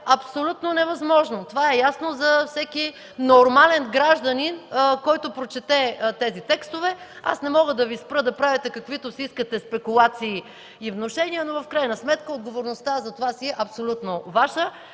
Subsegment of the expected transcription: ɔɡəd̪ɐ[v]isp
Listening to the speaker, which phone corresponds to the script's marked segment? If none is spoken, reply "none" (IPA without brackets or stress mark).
v